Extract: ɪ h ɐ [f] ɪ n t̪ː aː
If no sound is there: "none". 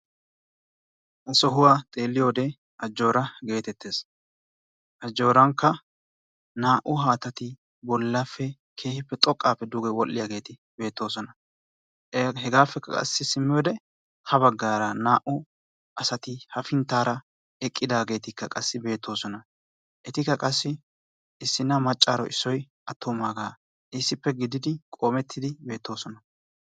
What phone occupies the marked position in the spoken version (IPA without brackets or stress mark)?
f